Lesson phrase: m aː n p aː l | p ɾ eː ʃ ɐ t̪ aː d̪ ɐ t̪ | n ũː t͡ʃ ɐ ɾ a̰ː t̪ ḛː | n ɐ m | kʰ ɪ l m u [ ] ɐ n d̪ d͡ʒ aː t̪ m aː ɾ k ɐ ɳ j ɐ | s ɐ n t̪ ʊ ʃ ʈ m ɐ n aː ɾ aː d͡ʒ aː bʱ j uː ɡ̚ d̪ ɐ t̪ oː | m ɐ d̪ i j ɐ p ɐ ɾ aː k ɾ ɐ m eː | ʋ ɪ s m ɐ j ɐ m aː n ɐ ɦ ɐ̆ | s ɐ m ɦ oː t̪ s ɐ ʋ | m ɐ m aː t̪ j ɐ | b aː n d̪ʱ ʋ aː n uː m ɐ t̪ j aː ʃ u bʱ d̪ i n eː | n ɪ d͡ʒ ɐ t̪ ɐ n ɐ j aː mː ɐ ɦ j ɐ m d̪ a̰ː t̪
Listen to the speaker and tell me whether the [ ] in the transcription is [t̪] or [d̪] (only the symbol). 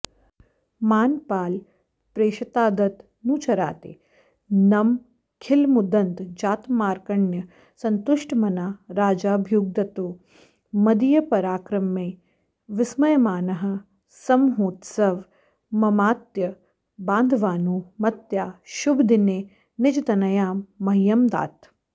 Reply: d̪